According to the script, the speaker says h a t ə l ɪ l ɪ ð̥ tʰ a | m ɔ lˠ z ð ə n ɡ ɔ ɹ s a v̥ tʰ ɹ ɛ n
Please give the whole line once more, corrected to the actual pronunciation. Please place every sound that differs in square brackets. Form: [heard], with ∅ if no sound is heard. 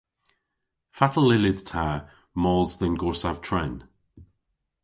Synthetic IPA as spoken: [f] a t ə l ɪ l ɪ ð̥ tʰ a | m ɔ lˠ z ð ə n ɡ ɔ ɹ s a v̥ tʰ ɹ ɛ n